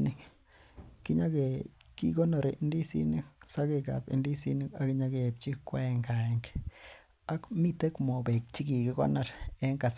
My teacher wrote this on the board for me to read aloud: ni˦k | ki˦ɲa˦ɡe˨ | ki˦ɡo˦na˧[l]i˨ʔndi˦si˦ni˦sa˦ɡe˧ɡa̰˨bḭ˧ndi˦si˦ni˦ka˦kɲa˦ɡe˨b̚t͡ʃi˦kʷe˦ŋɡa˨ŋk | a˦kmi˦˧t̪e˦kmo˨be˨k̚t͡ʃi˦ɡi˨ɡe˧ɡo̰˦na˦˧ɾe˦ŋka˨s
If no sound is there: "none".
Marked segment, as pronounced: ɾ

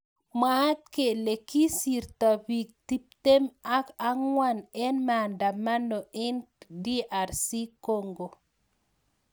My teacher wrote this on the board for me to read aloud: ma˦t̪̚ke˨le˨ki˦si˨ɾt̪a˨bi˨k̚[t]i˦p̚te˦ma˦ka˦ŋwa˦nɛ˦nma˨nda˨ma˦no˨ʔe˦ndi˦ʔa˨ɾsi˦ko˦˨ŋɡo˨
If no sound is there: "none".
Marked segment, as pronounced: t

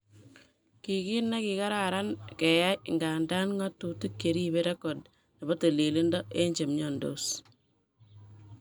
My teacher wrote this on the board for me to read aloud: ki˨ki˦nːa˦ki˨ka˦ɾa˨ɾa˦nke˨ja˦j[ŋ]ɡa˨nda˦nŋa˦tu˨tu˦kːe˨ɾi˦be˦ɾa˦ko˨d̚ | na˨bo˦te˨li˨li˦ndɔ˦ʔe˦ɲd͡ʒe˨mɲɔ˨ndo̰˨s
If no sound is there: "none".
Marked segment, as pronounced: ŋ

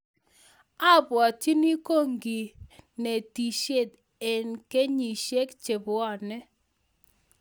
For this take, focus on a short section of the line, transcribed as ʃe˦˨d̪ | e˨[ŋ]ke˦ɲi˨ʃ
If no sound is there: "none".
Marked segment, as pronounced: n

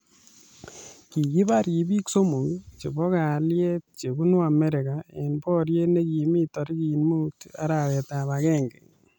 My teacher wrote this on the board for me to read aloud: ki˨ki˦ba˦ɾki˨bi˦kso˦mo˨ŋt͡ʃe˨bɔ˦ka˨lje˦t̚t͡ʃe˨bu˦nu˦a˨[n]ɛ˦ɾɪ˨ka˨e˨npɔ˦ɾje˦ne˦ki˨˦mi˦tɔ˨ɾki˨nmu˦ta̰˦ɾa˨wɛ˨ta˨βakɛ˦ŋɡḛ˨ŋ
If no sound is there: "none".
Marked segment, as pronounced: m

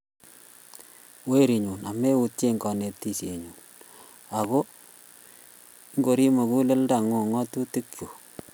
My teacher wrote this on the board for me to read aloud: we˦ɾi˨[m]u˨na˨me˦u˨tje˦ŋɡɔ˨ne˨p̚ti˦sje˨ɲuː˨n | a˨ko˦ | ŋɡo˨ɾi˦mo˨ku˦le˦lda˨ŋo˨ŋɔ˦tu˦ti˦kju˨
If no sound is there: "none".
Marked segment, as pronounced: ɲ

